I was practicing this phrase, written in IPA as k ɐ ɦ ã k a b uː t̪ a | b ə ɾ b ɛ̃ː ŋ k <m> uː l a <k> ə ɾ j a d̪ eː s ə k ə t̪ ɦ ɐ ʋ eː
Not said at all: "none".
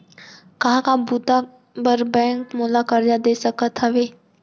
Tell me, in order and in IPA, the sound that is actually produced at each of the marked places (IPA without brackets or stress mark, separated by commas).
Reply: m, k